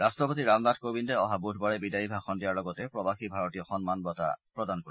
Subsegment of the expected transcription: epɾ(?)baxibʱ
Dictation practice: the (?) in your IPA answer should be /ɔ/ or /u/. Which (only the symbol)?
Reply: ɔ